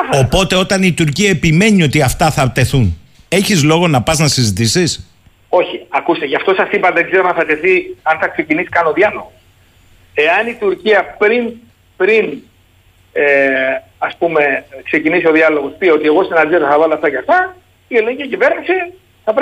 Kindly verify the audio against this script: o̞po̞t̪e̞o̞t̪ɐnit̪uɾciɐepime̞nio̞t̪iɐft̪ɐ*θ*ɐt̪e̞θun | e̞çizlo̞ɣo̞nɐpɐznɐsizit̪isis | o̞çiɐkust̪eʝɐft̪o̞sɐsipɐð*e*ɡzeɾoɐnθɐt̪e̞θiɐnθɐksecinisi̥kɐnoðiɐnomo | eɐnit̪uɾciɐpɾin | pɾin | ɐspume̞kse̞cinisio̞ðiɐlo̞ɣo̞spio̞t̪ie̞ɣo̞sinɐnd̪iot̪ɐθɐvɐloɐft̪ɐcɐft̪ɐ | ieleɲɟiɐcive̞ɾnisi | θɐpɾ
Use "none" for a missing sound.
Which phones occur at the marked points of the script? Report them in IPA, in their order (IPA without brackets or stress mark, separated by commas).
θ, e